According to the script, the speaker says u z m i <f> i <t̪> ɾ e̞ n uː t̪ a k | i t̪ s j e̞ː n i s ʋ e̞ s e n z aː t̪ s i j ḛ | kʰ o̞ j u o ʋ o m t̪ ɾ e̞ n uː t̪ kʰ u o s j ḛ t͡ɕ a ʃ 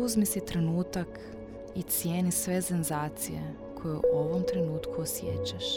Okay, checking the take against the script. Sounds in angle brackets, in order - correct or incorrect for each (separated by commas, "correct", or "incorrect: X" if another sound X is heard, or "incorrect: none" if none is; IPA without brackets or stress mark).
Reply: incorrect: s, correct